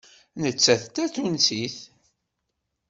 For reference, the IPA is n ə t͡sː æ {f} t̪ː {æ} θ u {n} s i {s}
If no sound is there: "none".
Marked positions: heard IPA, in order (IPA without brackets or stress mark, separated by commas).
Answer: θ, æ, n, θ